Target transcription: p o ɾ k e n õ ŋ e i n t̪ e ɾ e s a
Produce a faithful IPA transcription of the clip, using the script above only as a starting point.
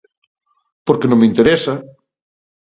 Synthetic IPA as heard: p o ɾ k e n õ m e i n t̪ e ɾ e s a

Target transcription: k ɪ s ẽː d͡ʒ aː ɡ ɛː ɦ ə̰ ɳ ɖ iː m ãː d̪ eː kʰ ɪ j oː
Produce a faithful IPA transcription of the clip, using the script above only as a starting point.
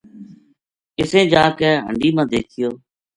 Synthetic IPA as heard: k ɪ s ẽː d͡ʒ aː k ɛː ɦ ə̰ ɳ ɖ iː m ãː d̪ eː kʰ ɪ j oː

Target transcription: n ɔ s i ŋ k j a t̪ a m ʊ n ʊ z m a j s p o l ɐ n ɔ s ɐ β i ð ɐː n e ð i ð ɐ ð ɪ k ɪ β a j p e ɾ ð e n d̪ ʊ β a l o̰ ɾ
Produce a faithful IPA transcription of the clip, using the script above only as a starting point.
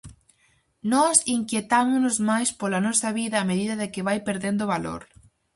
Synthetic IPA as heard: n ɔ s i ŋ k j e t̪ a m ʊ n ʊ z m a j s p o l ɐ n ɔ s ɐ β i ð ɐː m e ð i ð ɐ ð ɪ k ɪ β a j p e ɾ ð e n d̪ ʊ β a l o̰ ɾ

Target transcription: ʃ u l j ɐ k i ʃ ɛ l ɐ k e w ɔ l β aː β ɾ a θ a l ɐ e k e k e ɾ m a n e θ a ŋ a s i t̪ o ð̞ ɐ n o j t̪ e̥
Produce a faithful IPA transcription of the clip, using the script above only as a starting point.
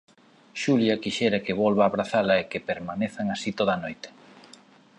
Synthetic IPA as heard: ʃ u l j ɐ k i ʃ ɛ ɾ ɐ k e β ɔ l β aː β ɾ a θ a l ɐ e k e p e ɾ m a n e θ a ŋ a s i t̪ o ð̞ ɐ n o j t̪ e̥

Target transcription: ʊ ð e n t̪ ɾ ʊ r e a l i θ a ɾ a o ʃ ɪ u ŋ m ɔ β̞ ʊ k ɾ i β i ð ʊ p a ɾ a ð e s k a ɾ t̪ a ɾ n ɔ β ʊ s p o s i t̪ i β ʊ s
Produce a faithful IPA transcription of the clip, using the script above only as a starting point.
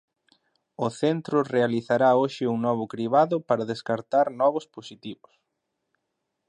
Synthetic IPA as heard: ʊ θ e n t̪ ɾ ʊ r e a l i θ a ɾ a o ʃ ɪ u ŋ n ɔ β̞ ʊ k ɾ i β a ð ʊ p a ɾ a ð e s k a ɾ t̪ a ɾ n ɔ β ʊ s p o s i t̪ i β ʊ s

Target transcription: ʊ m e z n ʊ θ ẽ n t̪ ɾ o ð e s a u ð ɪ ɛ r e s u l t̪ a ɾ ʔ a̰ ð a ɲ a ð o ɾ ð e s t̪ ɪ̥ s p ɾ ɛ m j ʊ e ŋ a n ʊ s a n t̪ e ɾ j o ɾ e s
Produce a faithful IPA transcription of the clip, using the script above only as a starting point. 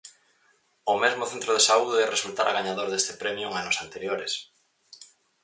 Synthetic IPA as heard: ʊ m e z m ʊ θ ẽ n t̪ ɾ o ð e s a u ð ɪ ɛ r e s u l t̪ a ɾ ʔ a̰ ɣ a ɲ a ð o ɾ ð e s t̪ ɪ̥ p ɾ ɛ m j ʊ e ŋ a n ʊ s a n t̪ e ɾ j o ɾ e s

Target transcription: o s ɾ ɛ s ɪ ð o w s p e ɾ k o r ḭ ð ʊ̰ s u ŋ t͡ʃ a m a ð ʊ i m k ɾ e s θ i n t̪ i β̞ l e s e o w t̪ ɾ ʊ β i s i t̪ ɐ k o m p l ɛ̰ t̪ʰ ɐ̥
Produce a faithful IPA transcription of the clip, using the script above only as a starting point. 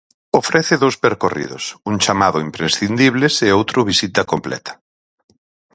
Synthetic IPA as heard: o f ɾ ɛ θ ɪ ð o w s p e ɾ k o r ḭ ð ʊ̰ s u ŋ t͡ʃ a m a ð ʊ i m p ɾ e s θ i n d̪ i β̞ l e s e o w t̪ ɾ ʊ β i s i t̪ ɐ k o m p l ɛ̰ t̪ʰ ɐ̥

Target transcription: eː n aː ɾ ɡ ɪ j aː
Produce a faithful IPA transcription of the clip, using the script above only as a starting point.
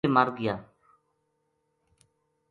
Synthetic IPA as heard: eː m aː ɾ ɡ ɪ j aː

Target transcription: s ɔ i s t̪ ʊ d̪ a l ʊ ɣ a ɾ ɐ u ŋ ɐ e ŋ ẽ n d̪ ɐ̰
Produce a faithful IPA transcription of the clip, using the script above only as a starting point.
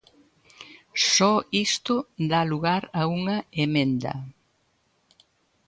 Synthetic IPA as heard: s ɔ i s t̪ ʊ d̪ a l u ɣ a ɾ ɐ u ŋ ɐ e m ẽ n d̪ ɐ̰

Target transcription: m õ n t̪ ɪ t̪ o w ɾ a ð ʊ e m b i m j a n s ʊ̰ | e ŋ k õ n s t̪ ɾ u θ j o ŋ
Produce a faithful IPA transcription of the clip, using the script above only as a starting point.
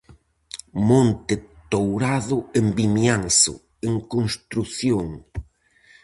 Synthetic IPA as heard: m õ n t̪ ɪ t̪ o w ɾ a ð ʊ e m b i m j a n s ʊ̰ | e ŋ k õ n s t̪ ɾ u θ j o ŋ

